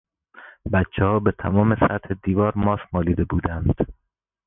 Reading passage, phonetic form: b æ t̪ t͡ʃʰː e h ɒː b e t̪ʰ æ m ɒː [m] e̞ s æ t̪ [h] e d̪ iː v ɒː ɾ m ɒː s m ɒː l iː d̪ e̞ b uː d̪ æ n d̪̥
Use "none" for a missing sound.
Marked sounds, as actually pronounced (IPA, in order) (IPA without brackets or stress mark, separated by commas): m, h